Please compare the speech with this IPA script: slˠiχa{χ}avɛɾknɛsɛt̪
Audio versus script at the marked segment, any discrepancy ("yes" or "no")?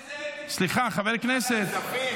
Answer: no